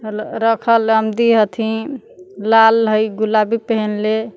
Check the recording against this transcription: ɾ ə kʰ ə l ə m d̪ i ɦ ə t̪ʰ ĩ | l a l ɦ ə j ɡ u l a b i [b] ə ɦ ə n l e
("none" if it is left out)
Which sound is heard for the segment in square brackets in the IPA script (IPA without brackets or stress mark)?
p